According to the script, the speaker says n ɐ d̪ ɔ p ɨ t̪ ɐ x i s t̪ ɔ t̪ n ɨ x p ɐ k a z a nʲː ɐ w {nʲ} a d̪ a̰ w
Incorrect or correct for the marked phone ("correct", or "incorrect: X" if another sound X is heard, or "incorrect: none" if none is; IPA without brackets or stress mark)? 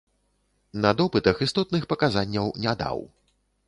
correct